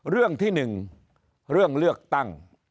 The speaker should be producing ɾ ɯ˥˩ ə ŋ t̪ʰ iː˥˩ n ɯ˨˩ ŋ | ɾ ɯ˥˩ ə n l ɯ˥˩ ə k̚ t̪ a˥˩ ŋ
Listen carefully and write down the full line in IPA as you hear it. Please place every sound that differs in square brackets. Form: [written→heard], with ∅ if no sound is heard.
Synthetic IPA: ɾ ɯ˥˩ ə ŋ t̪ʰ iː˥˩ n ɯ˨˩ ŋ | ɾ ɯ˥˩ ə [n→ŋ] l ɯ˥˩ ə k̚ t̪ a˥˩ ŋ

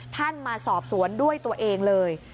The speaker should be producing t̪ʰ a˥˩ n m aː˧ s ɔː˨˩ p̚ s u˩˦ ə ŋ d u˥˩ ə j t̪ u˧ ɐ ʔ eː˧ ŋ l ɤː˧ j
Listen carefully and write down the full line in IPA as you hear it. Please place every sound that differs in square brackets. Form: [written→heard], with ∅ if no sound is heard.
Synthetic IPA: t̪ʰ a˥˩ n m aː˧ s ɔː˨˩ p̚ s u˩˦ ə [ŋ→n] d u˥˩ ə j t̪ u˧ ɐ ʔ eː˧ ŋ l ɤː˧ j

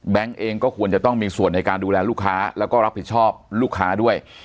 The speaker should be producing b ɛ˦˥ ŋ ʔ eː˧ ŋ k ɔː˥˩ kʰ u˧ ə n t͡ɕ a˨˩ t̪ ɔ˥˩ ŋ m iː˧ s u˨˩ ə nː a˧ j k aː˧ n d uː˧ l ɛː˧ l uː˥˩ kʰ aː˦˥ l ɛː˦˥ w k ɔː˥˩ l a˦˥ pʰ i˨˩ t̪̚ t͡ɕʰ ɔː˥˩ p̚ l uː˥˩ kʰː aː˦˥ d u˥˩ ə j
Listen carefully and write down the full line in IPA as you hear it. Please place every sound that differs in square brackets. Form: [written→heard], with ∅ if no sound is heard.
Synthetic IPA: b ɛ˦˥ ŋ ʔ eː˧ ŋ k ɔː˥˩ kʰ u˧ ə n t͡ɕ a˨˩ t̪ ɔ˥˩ ŋ m iː˧ s u˨˩ ə nː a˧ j k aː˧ n d uː˧ l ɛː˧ l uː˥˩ kʰ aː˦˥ l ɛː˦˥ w k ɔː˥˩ [l→ɾ] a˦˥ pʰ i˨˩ t̪̚ t͡ɕʰ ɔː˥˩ p̚ l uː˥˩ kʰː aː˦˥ d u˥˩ ə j

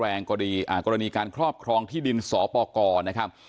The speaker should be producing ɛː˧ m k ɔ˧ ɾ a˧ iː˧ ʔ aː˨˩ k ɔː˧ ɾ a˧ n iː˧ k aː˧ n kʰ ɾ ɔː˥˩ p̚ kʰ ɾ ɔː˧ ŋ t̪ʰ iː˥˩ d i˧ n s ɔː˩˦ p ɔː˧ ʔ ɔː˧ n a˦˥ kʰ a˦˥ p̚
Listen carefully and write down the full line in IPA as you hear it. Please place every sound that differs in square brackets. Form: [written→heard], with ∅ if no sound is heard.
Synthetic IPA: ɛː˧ [m→ŋ] k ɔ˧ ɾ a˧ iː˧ ʔ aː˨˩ k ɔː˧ ɾ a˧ n iː˧ k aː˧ n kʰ ɾ ɔː˥˩ p̚ kʰ ɾ ɔː˧ ŋ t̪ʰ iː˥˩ d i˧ n s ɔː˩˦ p ɔː˧ [ʔ→k] ɔː˧ n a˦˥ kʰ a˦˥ p̚

